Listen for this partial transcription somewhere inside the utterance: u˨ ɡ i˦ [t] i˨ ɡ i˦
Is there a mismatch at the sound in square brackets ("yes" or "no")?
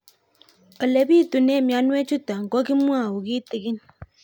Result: no